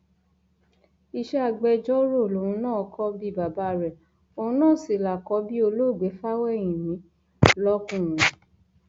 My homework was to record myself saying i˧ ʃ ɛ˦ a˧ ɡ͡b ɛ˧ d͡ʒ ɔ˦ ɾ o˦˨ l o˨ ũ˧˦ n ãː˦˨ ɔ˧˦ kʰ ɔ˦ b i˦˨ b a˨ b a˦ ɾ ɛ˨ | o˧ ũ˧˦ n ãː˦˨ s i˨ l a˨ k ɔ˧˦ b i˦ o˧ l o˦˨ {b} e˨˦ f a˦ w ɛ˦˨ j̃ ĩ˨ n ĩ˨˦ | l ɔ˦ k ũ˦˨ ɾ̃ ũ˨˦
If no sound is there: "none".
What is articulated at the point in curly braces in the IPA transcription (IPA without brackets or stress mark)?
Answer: ɡ͡b